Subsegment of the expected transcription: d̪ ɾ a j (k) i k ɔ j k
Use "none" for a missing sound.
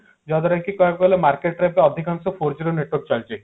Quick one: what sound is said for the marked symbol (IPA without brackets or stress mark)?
k